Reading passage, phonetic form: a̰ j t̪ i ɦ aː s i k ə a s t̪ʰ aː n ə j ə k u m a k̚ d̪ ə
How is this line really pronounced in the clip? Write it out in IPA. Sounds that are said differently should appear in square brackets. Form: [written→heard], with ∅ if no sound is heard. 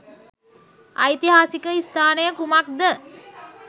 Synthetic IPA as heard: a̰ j t̪ i ɦ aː s i k ə [a→i] s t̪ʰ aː n ə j ə k u m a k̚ d̪ ə